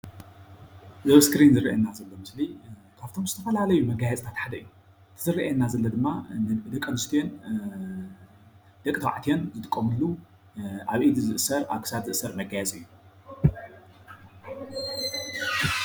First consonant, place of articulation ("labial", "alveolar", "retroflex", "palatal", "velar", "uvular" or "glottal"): alveolar